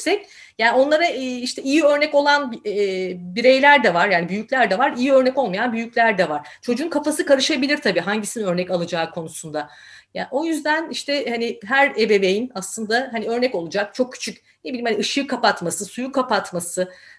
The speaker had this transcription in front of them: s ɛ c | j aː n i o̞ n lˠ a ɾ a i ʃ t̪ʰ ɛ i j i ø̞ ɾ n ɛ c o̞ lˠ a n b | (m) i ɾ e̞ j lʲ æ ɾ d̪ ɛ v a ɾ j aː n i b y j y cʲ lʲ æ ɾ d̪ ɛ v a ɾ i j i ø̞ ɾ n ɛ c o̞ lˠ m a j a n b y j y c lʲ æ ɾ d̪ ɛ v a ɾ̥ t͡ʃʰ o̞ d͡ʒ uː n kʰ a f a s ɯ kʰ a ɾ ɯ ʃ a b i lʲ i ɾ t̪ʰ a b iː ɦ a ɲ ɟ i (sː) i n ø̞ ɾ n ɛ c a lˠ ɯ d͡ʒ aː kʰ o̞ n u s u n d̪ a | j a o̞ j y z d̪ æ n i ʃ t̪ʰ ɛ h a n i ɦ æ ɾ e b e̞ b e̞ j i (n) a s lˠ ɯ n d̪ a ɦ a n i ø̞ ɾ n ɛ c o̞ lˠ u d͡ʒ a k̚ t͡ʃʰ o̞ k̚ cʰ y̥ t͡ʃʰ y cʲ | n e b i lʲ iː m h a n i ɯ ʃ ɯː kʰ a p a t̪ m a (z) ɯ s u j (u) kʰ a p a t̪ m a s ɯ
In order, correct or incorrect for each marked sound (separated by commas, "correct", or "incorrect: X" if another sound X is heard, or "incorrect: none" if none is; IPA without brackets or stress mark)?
incorrect: b, incorrect: s, correct, incorrect: s, correct